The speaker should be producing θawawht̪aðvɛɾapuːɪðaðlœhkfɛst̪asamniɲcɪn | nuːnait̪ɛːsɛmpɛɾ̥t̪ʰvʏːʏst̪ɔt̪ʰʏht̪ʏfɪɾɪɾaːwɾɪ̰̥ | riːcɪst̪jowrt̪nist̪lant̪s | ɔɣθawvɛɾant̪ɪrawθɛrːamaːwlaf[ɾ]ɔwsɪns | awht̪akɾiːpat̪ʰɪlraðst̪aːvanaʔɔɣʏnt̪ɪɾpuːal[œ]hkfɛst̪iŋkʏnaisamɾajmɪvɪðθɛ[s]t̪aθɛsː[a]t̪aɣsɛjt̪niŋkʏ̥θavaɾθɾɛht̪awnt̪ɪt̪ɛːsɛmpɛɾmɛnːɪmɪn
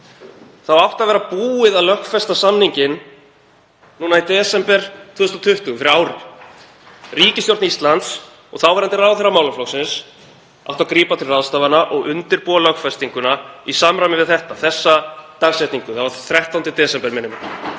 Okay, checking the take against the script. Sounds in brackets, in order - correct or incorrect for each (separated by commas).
incorrect, correct, incorrect, correct